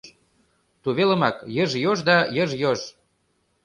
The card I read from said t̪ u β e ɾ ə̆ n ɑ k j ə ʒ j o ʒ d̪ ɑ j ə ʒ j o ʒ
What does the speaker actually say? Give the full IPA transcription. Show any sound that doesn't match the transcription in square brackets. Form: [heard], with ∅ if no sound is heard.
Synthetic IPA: t̪ u β e [l] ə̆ [m] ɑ k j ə ʒ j o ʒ d̪ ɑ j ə ʒ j o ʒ

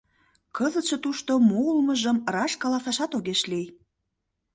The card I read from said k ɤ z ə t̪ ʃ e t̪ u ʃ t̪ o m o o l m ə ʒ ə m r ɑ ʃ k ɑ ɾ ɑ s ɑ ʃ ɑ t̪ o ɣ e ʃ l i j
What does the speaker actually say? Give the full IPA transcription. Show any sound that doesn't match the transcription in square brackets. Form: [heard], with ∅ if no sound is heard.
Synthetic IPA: k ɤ z ə t̪ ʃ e t̪ u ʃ t̪ o m o [u] l m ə ʒ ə m r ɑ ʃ k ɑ [l] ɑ s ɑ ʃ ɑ t̪ o ɣ e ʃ l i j

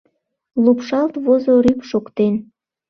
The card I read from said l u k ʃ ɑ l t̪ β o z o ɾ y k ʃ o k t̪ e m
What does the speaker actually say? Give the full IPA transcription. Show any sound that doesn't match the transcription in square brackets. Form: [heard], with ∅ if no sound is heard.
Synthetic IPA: l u [p] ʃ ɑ l t̪ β o z o ɾ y [p] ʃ o k t̪ e [n]

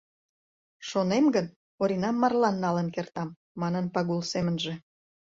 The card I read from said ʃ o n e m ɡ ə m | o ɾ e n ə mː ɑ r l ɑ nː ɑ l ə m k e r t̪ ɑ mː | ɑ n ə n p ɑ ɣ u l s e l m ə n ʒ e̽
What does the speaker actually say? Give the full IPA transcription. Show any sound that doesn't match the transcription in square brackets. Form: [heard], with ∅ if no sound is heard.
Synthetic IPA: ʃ o n e m ɡ ə [n] | o ɾ [i] n [ɑ] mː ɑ r l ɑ nː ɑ l ə [n] k e r t̪ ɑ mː | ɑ n ə n p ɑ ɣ u l s e [∅] m ə n ʒ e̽

